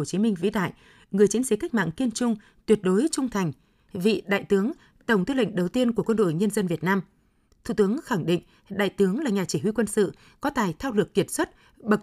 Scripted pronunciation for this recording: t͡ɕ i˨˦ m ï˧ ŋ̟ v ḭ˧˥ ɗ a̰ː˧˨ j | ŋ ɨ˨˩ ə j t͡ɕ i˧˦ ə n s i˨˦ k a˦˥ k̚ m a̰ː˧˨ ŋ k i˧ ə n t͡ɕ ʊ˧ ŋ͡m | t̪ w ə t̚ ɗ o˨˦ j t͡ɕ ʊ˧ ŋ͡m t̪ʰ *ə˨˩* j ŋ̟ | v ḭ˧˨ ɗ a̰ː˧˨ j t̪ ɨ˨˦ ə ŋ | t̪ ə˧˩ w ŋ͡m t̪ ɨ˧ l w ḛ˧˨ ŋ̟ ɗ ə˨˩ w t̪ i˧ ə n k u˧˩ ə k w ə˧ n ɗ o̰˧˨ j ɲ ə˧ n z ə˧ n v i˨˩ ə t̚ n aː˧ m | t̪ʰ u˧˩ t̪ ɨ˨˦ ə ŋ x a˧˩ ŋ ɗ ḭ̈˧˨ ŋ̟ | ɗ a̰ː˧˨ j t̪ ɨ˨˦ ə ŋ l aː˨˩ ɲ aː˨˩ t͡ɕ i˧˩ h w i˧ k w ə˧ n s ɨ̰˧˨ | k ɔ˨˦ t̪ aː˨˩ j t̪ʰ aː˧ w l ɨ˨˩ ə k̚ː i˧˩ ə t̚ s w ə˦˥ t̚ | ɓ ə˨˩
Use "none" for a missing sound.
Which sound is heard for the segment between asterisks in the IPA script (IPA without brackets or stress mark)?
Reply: a˨˩